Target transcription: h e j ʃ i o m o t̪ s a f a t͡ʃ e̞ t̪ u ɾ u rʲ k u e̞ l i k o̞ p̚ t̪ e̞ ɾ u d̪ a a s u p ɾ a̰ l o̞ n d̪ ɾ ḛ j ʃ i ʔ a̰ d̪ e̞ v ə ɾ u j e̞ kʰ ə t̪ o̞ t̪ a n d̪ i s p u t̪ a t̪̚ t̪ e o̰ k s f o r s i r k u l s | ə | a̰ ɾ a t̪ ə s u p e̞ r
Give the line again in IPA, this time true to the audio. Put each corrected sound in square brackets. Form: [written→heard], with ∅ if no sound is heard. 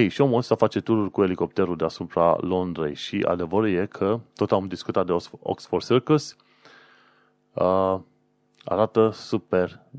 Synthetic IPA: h e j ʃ i o m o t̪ s a f a t͡ʃ e̞ t̪ u ɾ u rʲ k u e̞ l i k o̞ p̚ t̪ e̞ ɾ u d̪ [a→e] a s u p ɾ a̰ l o̞ n d̪ ɾ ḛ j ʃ i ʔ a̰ d̪ e̞ v ə ɾ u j e̞ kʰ ə t̪ o̞ t̪ a [n→m] d̪ i s [p→k] u t̪ a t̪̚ [t̪→d̪] e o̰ k s f o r s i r k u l s | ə | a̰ ɾ a t̪ ə s u p e̞ r